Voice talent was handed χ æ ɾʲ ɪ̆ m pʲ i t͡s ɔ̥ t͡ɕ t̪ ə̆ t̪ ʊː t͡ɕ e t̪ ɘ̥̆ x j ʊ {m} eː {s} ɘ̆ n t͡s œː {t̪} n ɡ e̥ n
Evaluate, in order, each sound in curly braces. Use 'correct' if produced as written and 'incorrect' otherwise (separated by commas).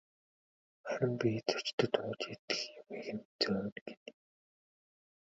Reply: correct, incorrect, incorrect